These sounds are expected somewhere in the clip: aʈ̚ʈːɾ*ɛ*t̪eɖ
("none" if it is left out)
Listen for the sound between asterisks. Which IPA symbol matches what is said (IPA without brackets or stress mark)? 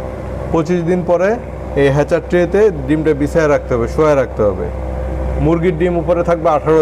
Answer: e